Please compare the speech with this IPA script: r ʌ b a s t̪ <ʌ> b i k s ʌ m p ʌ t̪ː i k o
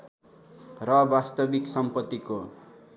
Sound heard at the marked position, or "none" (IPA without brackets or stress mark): ʌ